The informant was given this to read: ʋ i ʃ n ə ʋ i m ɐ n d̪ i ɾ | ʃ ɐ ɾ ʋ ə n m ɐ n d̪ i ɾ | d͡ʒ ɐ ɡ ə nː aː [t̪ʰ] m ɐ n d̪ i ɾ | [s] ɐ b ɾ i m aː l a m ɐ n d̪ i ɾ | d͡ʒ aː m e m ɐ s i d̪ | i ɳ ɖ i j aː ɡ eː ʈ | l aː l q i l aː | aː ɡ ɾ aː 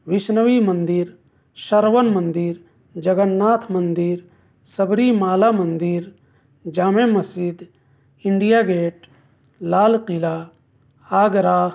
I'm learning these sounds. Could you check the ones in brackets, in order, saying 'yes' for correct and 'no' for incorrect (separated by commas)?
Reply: yes, yes